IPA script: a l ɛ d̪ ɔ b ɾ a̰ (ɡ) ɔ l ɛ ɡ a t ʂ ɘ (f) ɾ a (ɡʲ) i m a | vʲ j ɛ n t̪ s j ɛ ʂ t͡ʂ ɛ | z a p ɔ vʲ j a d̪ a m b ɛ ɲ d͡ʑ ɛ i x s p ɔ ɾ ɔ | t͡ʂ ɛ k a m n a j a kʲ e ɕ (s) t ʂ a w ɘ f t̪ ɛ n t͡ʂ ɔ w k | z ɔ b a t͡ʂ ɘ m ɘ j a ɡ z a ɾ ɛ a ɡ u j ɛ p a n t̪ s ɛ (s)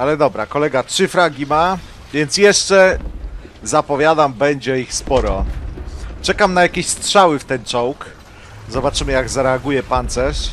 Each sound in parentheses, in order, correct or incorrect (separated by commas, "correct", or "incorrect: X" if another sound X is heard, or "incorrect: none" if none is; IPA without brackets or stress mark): incorrect: k, correct, correct, correct, incorrect: ʂ